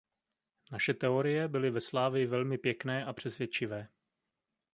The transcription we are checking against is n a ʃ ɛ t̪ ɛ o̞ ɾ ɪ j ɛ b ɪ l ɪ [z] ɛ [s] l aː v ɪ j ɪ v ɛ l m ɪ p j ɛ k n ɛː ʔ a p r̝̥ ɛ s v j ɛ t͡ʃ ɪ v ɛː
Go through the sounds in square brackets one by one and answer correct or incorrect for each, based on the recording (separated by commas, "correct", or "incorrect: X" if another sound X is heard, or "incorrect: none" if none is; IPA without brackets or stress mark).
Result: incorrect: v, correct